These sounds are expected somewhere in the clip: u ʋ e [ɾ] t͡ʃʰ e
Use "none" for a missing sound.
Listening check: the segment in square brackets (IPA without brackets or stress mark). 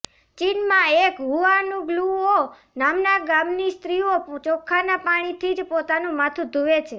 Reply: none